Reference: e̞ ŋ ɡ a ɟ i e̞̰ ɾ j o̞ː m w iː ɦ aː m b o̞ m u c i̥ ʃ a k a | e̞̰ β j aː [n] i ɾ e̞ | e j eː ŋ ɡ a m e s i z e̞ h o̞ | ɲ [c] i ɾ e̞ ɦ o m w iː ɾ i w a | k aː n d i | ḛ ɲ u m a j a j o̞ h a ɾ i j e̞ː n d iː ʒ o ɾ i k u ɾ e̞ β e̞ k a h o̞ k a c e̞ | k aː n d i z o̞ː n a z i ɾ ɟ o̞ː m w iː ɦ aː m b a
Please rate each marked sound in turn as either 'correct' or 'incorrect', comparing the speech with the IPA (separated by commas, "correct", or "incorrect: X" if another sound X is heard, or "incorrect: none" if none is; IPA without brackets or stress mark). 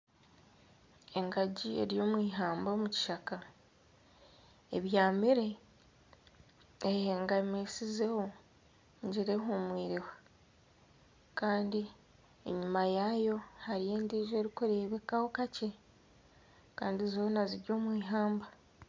incorrect: m, incorrect: ɟ